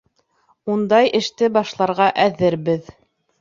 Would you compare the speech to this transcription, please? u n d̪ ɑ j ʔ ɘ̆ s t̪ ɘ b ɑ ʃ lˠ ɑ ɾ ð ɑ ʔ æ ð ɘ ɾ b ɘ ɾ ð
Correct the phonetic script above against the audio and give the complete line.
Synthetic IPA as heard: u n d̪ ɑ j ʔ ɘ̆ ʃ t̪ ɘ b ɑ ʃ lˠ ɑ ɾ ʁ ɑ ʔ æ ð ɘ ɾ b ɘ ð